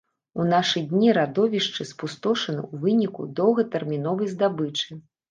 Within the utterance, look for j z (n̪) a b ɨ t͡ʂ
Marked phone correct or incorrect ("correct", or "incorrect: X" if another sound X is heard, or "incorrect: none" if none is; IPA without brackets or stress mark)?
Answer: incorrect: d̪